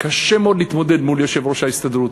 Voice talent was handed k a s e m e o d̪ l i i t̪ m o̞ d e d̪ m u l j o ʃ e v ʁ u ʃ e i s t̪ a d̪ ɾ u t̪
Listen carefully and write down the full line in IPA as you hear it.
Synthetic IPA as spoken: k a ʃ e m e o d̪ l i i t̪ m o̞ d e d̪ m u l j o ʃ e v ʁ o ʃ a i s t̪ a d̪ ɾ u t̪